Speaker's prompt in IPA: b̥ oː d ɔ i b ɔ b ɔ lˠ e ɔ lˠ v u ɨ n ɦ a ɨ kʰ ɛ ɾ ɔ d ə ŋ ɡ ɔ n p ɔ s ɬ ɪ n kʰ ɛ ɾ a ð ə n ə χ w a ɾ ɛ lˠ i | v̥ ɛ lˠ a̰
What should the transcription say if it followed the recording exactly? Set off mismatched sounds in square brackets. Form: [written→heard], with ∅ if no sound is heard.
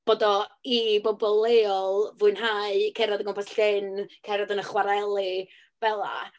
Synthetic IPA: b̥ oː d ɔ i b ɔ b ɔ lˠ e ɔ lˠ v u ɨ n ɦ a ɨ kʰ ɛ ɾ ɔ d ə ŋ ɡ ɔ [n→m] p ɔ s ɬ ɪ n kʰ ɛ ɾ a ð ə n ə χ w a ɾ ɛ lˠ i | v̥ ɛ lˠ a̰